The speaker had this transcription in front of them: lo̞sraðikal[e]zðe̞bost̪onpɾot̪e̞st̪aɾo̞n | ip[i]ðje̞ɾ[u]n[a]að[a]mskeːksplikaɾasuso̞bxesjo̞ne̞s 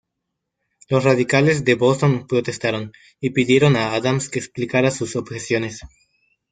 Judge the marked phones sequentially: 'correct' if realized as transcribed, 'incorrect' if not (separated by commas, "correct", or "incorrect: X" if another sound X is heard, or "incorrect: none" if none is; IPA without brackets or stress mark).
correct, correct, incorrect: o, correct, correct